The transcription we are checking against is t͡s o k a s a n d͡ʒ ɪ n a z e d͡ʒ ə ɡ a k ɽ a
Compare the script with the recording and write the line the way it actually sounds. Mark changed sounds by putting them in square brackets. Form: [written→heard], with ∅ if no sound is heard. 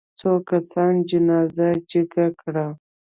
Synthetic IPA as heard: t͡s o k a s [a→ɑ] n d͡ʒ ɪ n [a→ɑ] z [e→a] d͡ʒ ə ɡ a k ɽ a